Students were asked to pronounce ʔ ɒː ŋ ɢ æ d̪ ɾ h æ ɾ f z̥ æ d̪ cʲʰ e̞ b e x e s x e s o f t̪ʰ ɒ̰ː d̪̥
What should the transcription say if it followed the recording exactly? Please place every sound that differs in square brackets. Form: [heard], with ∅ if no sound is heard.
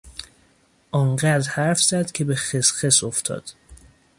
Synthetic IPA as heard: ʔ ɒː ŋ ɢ æ d̪ ɾ h æ ɾ f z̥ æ d̪ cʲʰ e̞ b e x e s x e s o f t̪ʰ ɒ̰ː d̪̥